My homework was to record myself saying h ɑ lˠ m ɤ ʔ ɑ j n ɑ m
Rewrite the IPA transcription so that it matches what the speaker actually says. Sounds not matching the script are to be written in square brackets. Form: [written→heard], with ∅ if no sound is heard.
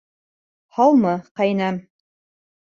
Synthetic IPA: h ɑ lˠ m ɤ [ʔ→q] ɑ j n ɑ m